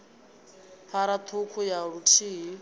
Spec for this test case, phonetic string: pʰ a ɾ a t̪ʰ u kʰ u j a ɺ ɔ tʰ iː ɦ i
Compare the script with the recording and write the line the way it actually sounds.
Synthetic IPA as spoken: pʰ a ɾ a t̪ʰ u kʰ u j a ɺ u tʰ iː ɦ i